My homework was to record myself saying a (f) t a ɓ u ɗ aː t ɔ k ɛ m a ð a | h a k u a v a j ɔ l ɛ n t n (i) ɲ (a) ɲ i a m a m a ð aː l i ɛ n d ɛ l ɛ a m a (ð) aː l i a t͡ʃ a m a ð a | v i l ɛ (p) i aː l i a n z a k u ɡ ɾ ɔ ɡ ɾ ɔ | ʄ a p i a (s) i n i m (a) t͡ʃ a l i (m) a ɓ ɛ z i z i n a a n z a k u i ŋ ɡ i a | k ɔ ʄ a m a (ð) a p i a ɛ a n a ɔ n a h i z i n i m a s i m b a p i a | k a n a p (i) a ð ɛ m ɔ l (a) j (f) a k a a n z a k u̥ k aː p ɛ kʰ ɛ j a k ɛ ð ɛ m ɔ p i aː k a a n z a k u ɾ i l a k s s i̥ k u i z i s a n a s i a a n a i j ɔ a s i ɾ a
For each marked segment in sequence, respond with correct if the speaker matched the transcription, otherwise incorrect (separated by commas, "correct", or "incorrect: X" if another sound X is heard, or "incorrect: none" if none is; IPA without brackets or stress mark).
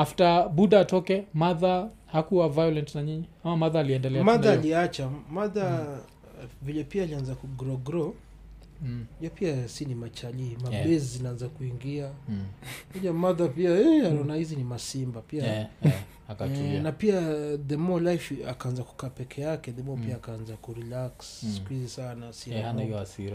correct, incorrect: a, incorrect: i, correct, correct, correct, correct, correct, correct, correct, correct, correct